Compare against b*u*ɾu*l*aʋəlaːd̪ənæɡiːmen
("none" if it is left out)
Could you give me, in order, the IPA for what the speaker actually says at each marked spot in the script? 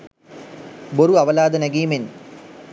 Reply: o, none

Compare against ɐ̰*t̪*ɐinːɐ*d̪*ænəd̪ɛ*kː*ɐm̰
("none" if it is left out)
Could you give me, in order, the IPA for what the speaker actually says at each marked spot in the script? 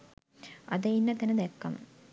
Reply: d̪, t̪, kː

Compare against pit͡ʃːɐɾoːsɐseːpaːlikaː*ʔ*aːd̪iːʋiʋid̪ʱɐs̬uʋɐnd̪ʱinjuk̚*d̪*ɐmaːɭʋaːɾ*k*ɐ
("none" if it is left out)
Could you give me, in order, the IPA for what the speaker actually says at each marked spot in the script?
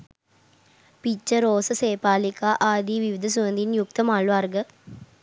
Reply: ʔ, t̪, ɡ

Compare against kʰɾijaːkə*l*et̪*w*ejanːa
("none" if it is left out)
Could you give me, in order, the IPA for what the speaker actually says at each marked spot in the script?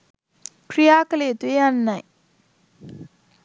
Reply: l, w

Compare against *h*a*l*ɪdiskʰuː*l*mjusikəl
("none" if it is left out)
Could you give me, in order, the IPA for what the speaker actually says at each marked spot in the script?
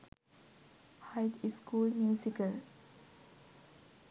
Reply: h, none, l

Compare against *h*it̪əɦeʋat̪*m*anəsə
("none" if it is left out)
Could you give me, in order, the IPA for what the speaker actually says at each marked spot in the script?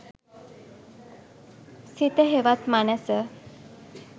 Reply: s, m

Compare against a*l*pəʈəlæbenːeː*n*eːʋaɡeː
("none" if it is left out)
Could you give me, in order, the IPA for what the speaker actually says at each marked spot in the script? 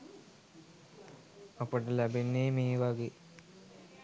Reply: none, m

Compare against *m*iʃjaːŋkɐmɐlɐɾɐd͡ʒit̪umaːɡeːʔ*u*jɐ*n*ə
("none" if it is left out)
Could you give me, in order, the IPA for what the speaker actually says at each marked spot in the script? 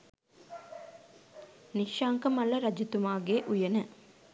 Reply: n, u, n

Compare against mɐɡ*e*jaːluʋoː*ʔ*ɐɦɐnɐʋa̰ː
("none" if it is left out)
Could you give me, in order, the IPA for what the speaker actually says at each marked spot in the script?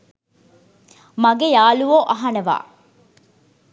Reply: e, ʔ

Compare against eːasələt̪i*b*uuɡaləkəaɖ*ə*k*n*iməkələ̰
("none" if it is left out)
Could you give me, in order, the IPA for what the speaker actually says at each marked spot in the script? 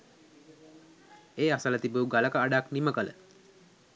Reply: b, a, n

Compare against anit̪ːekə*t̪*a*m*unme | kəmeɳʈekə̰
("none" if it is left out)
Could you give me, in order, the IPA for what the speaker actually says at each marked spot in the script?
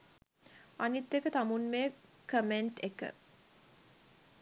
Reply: t̪, m

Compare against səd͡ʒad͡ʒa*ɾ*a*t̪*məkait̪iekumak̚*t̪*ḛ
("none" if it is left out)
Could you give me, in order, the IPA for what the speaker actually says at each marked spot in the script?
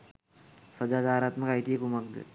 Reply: ɾ, t̪, d̪

